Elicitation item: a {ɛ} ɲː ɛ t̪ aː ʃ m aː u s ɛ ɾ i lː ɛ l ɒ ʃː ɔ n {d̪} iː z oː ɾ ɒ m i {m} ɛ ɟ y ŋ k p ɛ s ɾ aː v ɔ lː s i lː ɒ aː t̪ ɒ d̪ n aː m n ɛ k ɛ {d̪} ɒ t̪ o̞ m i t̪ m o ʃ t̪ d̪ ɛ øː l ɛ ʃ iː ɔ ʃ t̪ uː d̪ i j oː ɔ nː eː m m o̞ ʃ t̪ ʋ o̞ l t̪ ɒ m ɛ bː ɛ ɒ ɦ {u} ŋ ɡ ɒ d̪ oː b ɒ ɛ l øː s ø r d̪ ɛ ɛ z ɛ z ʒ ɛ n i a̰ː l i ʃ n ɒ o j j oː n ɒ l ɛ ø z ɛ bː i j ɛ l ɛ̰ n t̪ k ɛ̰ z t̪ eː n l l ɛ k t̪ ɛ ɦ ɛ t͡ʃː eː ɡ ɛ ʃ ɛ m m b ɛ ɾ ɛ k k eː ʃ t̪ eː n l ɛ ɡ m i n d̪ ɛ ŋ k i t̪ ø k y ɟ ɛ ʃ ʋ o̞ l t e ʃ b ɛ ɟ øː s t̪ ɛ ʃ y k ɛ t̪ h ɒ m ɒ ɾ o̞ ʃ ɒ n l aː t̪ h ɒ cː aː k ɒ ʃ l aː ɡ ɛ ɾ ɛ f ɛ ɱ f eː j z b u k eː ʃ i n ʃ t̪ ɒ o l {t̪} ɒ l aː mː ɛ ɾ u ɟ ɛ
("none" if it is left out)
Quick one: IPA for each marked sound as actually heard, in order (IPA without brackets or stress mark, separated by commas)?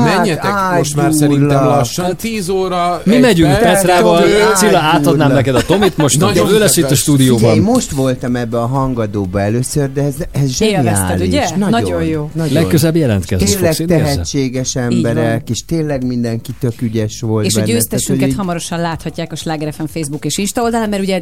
ɛ, t̪, m, d̪, ɒ, d̪